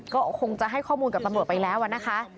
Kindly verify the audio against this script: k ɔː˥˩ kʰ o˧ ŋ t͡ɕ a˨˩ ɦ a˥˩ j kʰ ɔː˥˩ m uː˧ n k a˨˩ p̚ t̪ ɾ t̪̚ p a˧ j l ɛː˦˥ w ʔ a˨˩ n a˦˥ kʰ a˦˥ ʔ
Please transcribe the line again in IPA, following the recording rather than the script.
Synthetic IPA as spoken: k ɔː˥˩ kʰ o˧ ŋ t͡ɕ a˨˩ ɦ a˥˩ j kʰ ɔː˥˩ m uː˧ n k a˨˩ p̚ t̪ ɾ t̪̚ p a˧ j l ɛː˦˥ w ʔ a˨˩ n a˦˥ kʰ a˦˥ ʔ